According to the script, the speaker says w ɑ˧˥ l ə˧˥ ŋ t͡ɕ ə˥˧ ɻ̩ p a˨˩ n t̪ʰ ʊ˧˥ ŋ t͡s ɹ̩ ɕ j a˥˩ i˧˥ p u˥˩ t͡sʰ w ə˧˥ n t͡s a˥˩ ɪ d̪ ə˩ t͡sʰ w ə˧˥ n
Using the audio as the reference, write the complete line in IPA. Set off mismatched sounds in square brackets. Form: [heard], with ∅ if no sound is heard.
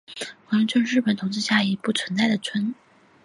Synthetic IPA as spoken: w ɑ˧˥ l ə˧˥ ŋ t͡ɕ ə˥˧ ɻ̩ p [ə˨˩] n t̪ʰ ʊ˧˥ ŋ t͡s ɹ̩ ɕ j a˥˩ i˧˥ p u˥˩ t͡sʰ w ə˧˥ n t͡s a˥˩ ɪ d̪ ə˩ t͡sʰ w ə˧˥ n